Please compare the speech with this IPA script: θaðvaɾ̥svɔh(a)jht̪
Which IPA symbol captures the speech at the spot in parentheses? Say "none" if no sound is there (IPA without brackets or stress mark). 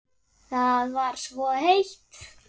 e